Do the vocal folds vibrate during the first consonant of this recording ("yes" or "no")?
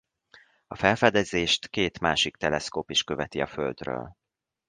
no